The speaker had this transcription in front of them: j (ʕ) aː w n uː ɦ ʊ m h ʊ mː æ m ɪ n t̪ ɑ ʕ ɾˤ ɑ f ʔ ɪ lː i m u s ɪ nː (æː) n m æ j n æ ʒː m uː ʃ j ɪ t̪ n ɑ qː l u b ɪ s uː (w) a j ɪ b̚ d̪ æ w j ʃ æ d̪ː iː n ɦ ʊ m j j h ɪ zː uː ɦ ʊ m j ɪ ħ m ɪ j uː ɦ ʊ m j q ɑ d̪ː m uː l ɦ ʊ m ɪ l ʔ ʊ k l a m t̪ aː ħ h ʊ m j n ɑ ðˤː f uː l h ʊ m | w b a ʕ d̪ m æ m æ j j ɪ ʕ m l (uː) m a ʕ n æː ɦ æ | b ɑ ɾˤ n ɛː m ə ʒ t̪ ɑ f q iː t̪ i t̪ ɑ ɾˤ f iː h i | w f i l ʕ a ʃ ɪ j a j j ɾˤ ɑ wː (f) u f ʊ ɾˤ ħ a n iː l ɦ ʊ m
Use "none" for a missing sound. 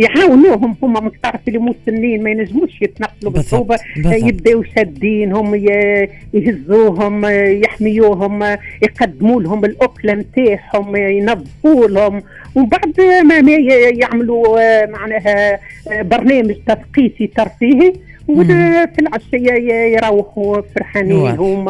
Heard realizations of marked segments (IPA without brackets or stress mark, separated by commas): ʕ, iː, b, u, ħ